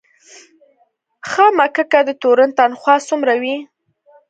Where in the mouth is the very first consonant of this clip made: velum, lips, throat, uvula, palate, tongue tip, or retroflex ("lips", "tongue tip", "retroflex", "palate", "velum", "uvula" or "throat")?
velum